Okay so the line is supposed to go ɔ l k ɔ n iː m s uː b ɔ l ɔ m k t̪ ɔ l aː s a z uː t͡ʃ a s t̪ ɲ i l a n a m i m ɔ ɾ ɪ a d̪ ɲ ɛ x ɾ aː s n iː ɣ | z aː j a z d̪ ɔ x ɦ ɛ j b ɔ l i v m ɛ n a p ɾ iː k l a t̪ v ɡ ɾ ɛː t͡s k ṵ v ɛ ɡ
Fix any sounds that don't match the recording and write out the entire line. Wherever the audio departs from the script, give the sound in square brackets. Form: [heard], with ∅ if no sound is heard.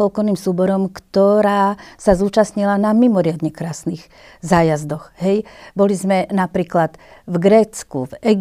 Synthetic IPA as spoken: ɔ l k ɔ n iː m s uː b ɔ [ɾ] ɔ m k t̪ ɔ [ɾ] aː s a z uː t͡ʃ a s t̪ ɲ i l a n a m i m ɔ ɾ ɪ a d̪ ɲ ɛ [k] ɾ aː s n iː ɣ | z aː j a z d̪ ɔ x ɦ ɛ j b ɔ l i [z] m ɛ n a p ɾ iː k l a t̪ v ɡ ɾ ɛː t͡s k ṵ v ɛ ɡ